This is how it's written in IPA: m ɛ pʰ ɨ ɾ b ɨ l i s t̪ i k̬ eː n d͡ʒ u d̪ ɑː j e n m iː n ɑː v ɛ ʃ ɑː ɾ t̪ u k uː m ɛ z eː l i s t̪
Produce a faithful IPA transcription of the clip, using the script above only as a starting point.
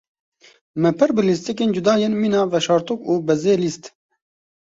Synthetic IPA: m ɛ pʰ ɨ ɾ b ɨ l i s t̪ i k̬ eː n d͡ʒ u d̪ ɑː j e n m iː n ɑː v ɛ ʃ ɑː ɾ t̪ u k uː b ɛ z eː l i s t̪